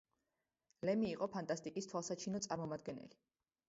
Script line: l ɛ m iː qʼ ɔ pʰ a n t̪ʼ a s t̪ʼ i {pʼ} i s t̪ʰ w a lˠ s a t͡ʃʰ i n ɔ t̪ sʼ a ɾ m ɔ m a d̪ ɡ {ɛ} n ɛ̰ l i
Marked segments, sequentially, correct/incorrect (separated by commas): incorrect, correct